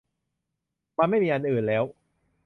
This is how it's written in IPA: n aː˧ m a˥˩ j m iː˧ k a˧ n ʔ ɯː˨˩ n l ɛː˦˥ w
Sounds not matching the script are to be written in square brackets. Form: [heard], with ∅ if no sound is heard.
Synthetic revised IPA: [m] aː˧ m a˥˩ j m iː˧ [ʔ] a˧ n ʔ ɯː˨˩ n l ɛː˦˥ w